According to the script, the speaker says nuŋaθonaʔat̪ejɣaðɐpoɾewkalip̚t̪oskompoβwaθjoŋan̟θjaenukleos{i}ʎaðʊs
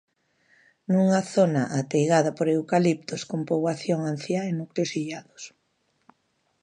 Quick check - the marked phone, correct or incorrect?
correct